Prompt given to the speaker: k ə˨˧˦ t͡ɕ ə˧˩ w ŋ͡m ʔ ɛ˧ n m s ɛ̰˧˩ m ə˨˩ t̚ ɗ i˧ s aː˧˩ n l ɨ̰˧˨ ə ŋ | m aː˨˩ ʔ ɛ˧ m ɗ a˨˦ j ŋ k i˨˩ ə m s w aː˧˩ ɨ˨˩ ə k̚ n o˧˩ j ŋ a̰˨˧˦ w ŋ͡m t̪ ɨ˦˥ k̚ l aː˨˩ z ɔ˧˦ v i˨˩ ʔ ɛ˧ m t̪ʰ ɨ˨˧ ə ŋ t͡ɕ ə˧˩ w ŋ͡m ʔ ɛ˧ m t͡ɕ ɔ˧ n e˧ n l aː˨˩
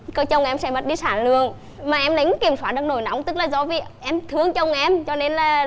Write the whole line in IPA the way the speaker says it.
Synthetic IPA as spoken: k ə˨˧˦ t͡ɕ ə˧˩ w ŋ͡m ʔ ɛ˧ m s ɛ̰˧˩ m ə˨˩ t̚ ɗ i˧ s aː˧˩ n l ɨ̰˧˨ ə ŋ | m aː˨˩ ʔ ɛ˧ m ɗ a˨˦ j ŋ k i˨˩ ə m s w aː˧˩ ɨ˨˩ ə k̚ n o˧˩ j n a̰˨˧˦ w ŋ͡m t̪ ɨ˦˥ k̚ l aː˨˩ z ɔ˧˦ v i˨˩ ʔ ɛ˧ m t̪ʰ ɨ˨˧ ə ŋ t͡ɕ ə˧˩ w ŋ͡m ʔ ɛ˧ m t͡ɕ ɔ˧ n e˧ n l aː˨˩